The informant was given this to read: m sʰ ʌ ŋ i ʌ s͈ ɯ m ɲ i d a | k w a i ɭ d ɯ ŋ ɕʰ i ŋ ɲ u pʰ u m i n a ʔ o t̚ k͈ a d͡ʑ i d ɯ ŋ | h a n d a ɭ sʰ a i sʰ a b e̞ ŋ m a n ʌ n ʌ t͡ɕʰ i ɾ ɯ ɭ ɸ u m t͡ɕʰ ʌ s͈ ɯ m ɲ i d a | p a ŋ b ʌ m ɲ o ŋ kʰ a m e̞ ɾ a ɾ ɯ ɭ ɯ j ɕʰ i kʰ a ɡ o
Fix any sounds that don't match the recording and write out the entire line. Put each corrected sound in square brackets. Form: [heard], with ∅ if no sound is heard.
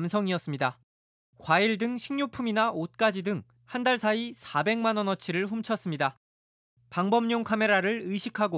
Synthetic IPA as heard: m sʰ ʌ ŋ i ʌ s͈ ɯ m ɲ i d a | k w a i ɭ d ɯ ŋ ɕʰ i ŋ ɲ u pʰ u m i n a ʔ o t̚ k͈ a d͡ʑ i d ɯ ŋ | h a n d a ɭ sʰ a i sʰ a b e̞ ŋ m a n ʌ n ʌ t͡ɕʰ i ɾ ɯ ɭ ɸ u m t͡ɕʰ ʌ s͈ ɯ m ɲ i d a | p a ŋ b ʌ m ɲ o ŋ kʰ a m e̞ ɾ a ɾ ɯ ɭ ɯ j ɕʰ i kʰ a ɡ o